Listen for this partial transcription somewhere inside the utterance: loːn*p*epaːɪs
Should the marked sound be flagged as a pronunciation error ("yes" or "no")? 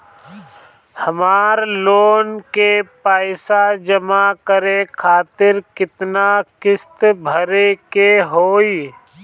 yes